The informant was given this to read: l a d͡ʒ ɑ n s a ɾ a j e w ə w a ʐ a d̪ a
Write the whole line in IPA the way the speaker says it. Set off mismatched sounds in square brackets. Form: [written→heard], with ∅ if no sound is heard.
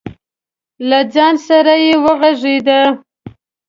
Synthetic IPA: l a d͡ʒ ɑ n s a ɾ a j e w ə [w→ɣ] a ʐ [a→e] d̪ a